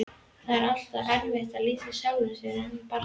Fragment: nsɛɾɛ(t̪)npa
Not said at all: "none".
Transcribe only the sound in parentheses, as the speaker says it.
none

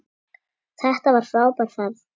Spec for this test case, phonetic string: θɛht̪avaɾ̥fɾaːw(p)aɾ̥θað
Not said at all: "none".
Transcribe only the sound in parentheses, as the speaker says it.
p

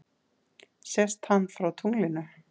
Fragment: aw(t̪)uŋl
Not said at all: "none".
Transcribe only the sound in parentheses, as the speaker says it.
t̪ʰ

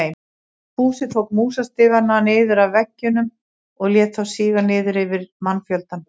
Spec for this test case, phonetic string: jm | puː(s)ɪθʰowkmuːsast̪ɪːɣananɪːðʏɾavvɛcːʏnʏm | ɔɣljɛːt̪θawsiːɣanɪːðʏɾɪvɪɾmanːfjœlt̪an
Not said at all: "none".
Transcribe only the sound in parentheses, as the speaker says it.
s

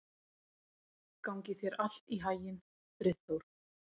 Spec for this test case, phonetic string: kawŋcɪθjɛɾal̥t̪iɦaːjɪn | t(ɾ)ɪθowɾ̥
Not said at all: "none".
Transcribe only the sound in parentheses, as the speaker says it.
ɾ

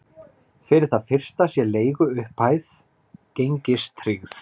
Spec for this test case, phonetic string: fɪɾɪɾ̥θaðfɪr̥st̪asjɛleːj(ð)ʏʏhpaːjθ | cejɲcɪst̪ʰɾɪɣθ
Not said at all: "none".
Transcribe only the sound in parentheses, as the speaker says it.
ɣ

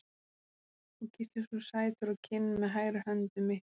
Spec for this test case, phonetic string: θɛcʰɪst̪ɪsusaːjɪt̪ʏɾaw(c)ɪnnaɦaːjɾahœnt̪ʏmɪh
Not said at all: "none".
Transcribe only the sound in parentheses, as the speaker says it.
cʰ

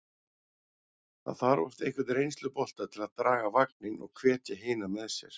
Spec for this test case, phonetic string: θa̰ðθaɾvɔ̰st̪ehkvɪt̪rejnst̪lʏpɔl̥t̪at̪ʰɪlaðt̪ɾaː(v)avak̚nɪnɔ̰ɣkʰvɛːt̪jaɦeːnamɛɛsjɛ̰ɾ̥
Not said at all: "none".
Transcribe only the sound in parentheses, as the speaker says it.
ɣ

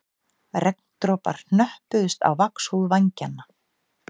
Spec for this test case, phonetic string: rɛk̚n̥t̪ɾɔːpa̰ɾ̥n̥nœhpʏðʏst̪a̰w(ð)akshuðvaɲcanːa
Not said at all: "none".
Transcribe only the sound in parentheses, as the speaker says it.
v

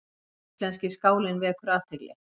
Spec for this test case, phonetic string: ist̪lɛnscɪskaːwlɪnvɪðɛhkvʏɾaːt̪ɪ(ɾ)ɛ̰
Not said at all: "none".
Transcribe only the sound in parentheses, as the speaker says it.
l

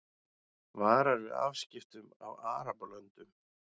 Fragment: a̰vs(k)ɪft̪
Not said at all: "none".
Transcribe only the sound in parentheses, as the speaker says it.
c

